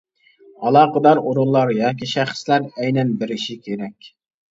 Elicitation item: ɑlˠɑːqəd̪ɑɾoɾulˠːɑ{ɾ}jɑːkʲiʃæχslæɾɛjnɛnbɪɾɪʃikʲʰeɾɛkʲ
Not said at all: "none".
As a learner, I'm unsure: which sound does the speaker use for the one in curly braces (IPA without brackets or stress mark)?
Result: ɾ